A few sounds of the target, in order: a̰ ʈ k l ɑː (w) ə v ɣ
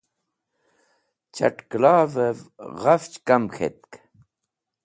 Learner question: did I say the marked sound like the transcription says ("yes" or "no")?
no